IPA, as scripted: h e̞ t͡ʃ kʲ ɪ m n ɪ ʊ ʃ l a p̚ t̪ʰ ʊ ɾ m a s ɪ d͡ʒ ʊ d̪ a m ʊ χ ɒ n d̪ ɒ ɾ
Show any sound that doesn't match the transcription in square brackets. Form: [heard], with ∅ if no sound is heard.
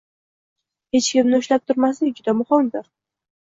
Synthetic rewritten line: h e̞ t͡ʃ kʲ ɪ m n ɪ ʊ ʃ l a p̚ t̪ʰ ʊ ɾ m a s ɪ d͡ʒ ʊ d̪ a m ʊ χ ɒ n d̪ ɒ ɾ